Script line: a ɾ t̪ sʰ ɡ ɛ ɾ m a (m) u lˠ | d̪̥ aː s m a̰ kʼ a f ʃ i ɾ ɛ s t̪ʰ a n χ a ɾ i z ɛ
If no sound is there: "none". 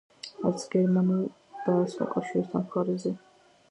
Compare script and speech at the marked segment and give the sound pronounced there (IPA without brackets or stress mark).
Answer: n